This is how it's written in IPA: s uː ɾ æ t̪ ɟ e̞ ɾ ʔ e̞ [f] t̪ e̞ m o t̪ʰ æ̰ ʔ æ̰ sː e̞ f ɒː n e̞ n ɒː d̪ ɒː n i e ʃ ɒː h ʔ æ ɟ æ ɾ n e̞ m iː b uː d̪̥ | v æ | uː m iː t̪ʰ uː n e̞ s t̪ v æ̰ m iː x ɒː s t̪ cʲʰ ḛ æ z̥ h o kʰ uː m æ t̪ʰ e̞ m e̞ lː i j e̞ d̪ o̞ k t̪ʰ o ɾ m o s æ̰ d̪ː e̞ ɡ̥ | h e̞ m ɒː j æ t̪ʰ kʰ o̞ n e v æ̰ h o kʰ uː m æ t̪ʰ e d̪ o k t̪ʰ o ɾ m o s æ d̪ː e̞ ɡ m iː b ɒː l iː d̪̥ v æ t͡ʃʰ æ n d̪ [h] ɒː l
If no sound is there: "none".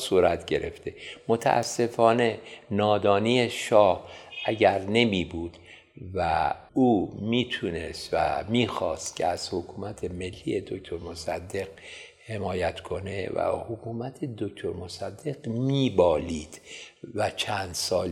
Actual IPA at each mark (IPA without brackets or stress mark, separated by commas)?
f, s